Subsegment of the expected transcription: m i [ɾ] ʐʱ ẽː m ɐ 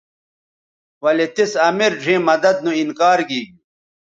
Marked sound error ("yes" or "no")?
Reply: no